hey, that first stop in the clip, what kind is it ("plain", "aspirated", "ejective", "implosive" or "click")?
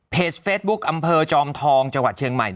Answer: aspirated